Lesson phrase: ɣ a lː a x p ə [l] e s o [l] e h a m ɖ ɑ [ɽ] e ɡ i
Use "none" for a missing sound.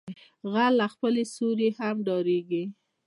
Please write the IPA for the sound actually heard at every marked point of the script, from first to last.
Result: l, ɾ, ɾ

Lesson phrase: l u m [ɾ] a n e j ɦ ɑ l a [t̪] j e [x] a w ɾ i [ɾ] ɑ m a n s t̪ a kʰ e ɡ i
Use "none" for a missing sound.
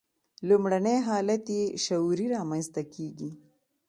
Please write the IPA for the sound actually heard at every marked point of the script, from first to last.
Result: ɽ, t̪, ʃ, ɾ

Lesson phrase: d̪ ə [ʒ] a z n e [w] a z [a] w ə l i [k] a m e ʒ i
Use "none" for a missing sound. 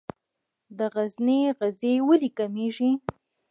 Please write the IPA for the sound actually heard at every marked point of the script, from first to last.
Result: ɣ, ɣ, e, k

